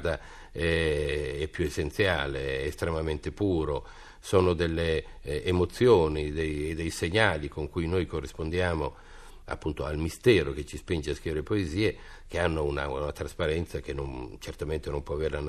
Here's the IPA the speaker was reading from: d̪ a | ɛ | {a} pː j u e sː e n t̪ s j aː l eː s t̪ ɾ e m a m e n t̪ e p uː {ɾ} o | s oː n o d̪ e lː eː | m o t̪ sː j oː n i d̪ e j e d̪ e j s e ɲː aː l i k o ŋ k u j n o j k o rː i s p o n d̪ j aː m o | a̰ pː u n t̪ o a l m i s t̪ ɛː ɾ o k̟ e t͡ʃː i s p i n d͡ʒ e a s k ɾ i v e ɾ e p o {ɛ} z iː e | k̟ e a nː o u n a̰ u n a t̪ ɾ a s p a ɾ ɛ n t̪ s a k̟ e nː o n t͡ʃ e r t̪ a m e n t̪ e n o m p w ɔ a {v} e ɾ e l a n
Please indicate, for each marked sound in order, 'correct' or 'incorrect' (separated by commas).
incorrect, correct, incorrect, correct